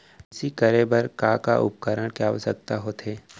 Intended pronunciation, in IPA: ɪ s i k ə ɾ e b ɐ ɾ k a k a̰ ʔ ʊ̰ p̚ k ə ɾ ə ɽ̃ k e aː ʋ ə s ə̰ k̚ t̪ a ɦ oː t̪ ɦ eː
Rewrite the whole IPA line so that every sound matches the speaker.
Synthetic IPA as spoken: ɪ s i k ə ɾ e b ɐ ɾ k a k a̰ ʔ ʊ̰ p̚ k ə ɾ ə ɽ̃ k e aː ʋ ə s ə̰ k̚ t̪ a ɦ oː t̪ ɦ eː